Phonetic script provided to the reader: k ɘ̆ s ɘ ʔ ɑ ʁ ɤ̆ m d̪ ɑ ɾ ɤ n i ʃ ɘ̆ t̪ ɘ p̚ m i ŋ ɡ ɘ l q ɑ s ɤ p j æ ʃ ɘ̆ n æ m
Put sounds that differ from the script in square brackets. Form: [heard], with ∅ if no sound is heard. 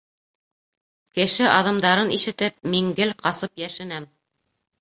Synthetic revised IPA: k ɘ̆ [ʃ] ɘ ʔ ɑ [ð] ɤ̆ m d̪ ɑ ɾ ɤ n i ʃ ɘ̆ t̪ ɘ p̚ m i ŋ ɡ ɘ l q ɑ s ɤ p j æ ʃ ɘ̆ n æ m